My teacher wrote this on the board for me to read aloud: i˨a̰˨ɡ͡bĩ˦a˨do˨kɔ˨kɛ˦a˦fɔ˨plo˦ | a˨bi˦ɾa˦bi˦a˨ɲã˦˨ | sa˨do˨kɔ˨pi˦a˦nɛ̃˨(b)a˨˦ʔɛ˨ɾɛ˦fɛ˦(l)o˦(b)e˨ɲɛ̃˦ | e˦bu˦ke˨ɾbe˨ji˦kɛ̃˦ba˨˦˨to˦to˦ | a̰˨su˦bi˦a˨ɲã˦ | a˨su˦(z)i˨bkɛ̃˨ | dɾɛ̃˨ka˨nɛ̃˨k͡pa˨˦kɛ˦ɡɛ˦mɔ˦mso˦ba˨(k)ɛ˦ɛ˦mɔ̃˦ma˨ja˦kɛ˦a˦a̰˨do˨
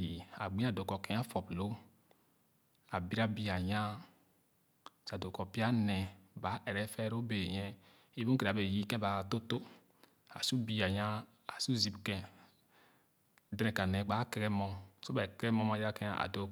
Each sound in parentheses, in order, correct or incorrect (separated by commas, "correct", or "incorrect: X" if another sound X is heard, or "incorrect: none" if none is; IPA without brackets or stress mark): correct, incorrect: ɾ, correct, correct, correct